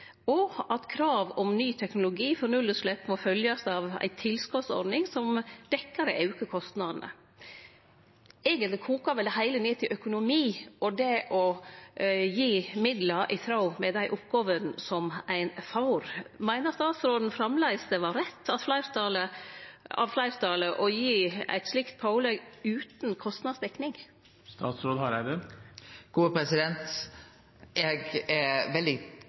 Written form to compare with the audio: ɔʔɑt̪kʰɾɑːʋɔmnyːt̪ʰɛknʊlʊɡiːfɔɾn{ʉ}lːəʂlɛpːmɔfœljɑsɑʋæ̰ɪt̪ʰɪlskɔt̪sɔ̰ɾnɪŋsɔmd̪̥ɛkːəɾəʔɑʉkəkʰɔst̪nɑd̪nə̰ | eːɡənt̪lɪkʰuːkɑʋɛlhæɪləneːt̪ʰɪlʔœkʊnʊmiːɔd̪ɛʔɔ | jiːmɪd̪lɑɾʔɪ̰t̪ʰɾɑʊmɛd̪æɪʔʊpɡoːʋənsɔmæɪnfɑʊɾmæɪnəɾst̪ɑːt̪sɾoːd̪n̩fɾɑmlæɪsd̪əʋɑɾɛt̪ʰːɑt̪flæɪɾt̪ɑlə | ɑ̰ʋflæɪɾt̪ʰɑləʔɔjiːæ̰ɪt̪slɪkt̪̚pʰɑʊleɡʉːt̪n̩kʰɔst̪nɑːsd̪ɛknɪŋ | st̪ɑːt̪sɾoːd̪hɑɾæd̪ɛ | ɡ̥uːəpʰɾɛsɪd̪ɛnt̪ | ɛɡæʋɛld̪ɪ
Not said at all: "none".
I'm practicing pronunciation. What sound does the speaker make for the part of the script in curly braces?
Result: ʉ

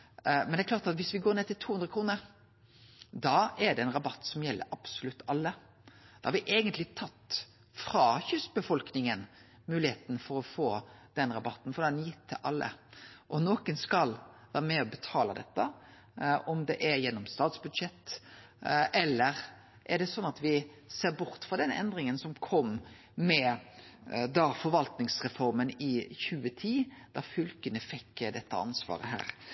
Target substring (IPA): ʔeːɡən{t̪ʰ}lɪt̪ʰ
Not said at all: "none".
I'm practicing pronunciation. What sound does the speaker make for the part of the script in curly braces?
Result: t̪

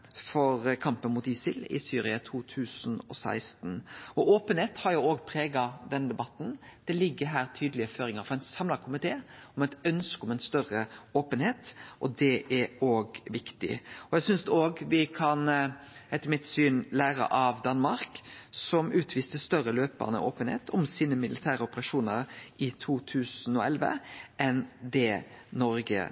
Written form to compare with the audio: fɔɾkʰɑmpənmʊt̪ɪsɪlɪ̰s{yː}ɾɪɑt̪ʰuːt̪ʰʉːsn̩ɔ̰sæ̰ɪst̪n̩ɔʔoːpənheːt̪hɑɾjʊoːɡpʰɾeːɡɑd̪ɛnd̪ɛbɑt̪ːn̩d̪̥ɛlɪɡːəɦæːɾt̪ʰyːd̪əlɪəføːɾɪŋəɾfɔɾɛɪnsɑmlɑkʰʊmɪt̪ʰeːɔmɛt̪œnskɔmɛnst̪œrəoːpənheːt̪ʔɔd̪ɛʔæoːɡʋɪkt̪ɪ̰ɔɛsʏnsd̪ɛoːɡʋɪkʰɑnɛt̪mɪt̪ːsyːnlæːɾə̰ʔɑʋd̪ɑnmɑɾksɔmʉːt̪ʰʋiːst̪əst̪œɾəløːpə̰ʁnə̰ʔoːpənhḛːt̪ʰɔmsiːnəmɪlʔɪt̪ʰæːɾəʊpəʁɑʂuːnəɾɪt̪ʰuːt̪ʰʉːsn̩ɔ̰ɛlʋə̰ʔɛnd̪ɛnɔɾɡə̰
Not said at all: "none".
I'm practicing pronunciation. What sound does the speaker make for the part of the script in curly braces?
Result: yː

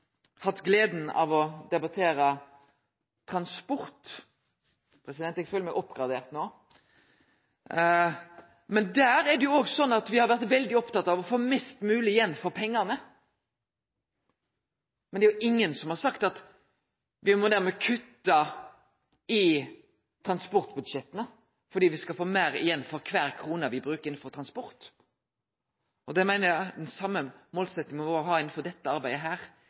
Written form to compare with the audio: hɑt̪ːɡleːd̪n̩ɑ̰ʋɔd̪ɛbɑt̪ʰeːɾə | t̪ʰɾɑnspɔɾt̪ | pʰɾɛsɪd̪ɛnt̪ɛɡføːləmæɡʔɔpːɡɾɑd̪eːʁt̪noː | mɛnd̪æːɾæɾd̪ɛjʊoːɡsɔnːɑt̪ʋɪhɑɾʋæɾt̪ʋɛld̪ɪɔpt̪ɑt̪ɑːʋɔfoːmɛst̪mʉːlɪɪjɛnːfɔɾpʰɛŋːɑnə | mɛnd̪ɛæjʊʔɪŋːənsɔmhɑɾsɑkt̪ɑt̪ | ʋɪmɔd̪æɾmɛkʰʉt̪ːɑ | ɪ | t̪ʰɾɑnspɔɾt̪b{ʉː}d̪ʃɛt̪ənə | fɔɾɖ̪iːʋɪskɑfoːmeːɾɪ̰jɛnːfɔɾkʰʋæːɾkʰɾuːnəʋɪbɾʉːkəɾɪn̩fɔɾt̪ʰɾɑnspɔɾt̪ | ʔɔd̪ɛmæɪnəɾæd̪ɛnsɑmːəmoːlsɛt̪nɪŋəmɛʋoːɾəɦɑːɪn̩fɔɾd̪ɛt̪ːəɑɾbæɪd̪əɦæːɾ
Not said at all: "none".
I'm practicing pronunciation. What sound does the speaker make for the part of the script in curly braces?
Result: ʉ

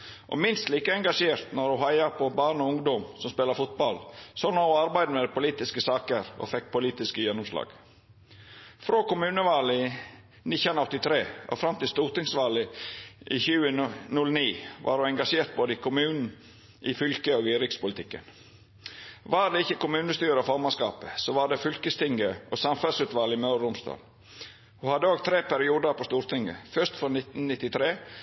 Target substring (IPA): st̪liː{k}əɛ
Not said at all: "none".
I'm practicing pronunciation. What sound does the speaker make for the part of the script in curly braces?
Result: k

